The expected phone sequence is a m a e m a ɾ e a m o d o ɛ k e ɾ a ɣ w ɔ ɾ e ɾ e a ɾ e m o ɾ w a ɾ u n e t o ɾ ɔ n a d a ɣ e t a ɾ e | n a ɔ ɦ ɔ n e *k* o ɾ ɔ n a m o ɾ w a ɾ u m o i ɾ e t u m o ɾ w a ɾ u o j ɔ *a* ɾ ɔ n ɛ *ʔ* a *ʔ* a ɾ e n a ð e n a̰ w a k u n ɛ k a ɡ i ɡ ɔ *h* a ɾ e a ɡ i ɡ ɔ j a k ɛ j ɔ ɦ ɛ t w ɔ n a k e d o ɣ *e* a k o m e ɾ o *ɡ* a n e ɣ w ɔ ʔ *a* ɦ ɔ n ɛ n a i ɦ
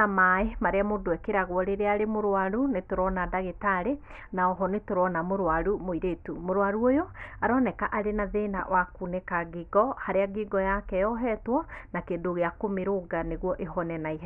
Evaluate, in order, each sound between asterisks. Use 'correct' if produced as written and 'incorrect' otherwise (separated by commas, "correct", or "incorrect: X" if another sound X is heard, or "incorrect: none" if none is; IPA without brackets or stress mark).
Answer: incorrect: t, correct, incorrect: k, correct, correct, correct, correct, incorrect: e